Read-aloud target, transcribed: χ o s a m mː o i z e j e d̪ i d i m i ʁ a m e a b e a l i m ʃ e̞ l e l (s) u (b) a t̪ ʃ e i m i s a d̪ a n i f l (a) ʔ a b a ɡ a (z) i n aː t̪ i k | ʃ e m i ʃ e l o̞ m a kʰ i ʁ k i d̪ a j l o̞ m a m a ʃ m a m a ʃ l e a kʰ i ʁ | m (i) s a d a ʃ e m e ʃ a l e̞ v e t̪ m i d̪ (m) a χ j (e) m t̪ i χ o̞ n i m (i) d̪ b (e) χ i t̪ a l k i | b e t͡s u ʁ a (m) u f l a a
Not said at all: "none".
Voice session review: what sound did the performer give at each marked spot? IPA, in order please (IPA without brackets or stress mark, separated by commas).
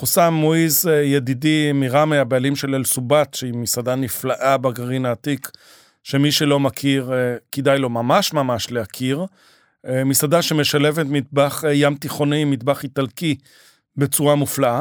s, b, a, ʁ, i, b, a, i, a, m